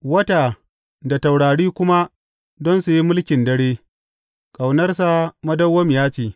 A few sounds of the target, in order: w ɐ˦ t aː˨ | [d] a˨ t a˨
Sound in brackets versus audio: correct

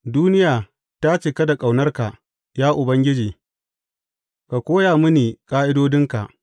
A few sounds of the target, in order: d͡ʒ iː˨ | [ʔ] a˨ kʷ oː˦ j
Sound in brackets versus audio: incorrect: k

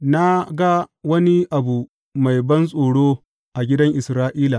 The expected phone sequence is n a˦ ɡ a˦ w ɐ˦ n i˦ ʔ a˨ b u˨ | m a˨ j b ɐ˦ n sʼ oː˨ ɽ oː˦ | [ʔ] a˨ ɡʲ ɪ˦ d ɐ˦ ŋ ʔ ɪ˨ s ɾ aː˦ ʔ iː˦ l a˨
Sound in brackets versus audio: correct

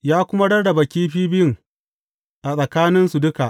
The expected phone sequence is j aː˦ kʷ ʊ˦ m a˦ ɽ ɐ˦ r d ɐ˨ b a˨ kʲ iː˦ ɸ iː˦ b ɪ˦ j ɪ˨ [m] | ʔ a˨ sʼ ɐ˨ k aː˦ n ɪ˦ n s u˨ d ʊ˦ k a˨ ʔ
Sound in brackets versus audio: incorrect: ŋ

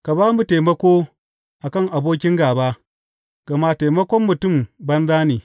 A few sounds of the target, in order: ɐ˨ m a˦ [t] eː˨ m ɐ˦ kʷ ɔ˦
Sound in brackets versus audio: correct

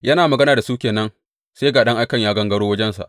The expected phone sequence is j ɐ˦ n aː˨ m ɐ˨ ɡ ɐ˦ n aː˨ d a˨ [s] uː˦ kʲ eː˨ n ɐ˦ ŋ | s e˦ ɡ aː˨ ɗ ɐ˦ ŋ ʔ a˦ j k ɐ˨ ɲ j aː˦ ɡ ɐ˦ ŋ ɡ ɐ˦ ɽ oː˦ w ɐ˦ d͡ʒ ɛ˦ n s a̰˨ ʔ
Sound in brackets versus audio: correct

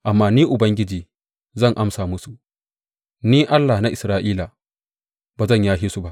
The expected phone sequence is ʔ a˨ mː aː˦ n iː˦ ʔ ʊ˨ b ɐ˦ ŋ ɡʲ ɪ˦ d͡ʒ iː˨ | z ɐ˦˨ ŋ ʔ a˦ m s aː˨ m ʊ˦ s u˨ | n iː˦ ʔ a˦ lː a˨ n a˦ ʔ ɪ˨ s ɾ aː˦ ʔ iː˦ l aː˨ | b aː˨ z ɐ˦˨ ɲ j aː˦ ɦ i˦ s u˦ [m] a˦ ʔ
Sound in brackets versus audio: incorrect: b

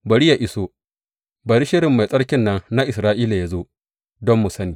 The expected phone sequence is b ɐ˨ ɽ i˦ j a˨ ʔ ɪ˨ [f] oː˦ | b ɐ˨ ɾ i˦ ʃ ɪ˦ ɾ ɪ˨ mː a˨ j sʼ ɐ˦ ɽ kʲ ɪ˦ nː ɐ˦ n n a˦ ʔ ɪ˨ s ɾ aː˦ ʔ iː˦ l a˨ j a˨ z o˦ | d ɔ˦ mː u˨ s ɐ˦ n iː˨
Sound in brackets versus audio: incorrect: s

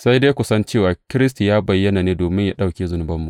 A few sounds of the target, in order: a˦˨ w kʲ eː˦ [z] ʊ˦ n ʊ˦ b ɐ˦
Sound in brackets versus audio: correct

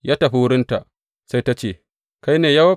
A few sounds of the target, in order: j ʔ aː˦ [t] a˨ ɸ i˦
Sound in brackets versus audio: correct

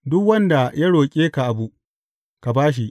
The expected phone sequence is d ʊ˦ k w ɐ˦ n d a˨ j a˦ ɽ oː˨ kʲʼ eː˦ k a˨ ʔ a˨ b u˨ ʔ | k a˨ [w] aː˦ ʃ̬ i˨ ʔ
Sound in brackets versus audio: incorrect: b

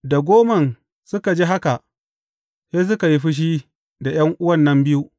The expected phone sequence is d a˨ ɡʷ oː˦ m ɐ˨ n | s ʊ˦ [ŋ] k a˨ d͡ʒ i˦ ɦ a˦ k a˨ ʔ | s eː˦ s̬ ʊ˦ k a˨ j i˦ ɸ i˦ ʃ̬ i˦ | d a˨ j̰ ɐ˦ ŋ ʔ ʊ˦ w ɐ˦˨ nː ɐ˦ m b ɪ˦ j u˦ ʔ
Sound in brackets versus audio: incorrect: none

